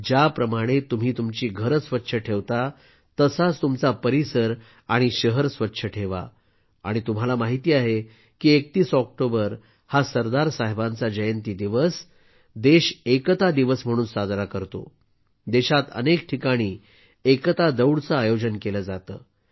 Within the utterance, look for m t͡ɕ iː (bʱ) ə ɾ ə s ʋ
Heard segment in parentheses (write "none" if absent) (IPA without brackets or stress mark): ɡʱ